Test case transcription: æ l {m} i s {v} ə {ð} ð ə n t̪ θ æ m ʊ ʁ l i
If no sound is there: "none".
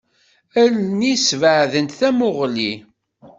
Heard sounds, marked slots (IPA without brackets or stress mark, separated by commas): n, v, ʕ